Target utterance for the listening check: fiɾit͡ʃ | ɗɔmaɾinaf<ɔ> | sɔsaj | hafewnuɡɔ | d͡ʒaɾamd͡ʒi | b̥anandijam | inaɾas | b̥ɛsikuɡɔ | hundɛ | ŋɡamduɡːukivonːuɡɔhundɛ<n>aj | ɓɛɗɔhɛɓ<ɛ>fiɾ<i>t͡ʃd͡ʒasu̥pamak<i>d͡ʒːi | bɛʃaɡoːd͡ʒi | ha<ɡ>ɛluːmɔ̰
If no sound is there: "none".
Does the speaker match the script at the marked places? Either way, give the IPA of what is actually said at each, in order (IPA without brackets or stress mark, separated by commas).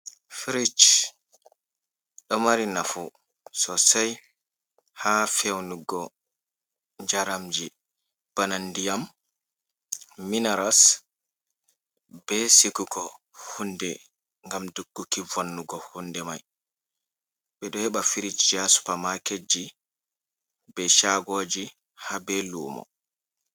u, m, a, i, e, b